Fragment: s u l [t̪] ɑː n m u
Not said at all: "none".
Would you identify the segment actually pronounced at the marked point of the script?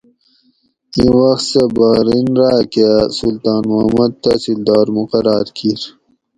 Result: t̪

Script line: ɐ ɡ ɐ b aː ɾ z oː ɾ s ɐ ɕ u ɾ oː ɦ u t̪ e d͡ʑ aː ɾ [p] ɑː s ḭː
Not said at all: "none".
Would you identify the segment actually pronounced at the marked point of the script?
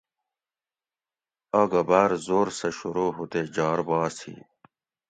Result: b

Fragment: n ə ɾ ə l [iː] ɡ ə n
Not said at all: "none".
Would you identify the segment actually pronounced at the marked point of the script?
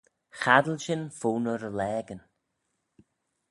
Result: ɛː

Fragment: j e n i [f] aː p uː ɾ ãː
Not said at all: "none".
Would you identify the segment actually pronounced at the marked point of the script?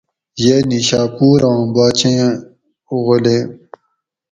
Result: ɕ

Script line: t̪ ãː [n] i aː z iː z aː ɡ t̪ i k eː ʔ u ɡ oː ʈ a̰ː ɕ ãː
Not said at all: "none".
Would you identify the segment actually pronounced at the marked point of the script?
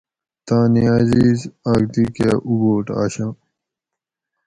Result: n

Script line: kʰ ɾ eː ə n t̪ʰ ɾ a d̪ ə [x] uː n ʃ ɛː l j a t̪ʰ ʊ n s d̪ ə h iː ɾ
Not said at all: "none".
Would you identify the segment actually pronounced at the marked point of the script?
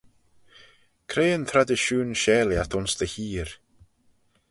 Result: ʃ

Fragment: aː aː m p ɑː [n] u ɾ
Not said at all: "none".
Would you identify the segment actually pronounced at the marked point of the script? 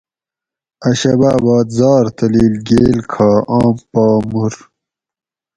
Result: m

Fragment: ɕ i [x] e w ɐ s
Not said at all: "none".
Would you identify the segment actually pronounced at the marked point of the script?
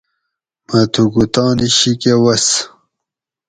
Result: k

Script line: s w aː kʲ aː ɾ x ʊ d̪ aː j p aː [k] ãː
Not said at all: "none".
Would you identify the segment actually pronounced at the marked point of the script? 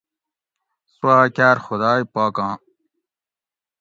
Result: k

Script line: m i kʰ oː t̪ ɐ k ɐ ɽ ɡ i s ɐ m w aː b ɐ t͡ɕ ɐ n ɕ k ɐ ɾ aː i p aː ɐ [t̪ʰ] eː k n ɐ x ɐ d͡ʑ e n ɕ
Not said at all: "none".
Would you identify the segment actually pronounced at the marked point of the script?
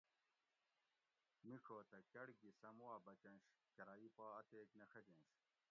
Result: t̪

